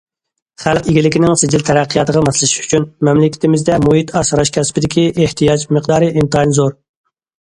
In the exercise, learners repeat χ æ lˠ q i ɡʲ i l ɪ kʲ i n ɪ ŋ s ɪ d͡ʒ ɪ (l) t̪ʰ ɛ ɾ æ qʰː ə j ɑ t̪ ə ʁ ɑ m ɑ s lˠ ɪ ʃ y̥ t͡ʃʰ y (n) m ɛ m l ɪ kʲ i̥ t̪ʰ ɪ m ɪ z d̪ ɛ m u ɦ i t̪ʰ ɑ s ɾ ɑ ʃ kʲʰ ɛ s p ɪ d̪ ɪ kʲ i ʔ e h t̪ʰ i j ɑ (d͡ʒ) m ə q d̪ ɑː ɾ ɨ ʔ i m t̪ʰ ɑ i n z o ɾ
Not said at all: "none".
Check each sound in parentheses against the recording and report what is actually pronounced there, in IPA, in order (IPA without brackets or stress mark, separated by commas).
l, n, d͡ʒ